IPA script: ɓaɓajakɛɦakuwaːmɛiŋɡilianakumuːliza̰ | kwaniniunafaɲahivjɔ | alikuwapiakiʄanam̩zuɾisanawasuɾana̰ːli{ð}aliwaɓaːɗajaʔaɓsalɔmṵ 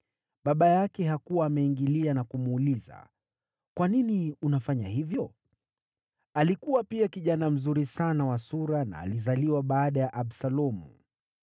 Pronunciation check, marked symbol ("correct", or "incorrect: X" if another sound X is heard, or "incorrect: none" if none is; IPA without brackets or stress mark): incorrect: z